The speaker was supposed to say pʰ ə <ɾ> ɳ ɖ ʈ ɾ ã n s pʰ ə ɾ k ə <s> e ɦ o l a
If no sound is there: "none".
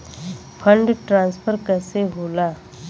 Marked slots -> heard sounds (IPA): none, s

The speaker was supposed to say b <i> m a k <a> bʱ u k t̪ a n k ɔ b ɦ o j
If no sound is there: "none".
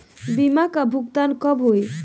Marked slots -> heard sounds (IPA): i, a

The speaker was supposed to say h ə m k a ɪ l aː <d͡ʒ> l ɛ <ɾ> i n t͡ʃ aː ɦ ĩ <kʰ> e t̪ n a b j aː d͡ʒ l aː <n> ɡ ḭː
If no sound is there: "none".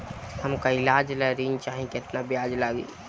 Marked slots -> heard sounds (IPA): d͡ʒ, ɾ, k, none

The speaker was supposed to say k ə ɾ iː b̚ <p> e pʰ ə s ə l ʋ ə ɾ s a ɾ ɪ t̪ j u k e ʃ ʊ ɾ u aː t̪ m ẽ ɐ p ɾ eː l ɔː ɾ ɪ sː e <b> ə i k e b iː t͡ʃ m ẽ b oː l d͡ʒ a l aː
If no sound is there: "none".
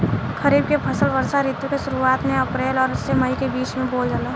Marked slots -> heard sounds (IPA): k, m

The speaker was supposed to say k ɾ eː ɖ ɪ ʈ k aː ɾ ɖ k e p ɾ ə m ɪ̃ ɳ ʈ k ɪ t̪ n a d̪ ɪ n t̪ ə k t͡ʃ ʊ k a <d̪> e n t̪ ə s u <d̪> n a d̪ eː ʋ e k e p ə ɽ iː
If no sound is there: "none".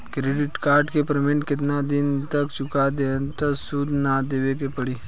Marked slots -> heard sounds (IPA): d̪, d̪

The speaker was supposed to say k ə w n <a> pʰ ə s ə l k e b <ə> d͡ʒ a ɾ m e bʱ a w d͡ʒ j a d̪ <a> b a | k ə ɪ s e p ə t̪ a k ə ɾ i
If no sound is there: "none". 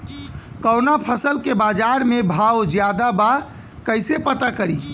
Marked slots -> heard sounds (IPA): a, a, a

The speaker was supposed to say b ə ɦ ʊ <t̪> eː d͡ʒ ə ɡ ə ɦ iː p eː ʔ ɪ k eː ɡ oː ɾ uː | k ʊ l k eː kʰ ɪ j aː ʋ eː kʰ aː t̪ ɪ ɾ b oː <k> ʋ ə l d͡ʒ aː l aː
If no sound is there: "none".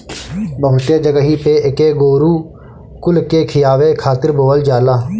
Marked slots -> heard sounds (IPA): t̪, none

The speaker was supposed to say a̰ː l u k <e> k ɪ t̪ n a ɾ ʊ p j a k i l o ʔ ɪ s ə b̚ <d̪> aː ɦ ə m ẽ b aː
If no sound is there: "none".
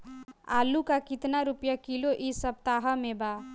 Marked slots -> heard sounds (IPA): a, t̪

